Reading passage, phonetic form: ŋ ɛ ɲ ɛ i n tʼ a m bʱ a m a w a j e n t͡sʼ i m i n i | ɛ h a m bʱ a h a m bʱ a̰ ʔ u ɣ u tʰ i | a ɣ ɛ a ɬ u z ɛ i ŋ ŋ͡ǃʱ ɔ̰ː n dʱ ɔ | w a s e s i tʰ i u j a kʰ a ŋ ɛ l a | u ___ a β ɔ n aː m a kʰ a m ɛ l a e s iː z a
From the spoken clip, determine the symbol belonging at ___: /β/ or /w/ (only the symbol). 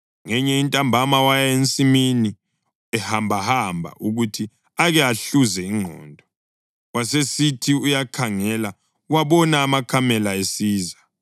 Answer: w